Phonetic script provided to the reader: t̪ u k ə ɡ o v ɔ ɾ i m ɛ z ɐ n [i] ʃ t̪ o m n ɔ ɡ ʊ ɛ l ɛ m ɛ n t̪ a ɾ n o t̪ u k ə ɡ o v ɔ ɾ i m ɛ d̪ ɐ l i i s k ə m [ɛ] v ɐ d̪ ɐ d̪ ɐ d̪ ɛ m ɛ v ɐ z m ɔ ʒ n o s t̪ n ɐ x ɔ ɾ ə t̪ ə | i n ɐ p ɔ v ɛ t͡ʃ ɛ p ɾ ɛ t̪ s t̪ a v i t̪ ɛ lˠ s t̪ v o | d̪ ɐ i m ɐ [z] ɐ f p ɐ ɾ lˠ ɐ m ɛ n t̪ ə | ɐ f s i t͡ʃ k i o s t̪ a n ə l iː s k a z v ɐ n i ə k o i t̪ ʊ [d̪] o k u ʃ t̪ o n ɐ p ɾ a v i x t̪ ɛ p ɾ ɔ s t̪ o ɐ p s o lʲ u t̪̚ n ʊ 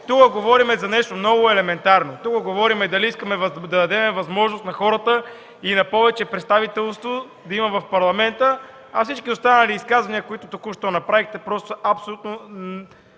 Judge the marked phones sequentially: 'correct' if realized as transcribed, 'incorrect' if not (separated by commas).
incorrect, correct, incorrect, incorrect